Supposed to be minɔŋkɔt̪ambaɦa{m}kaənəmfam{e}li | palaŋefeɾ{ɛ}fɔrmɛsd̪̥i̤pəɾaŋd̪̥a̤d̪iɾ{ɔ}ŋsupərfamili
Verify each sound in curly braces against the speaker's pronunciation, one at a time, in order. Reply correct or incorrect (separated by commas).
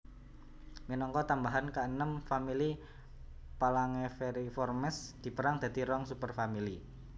incorrect, incorrect, incorrect, correct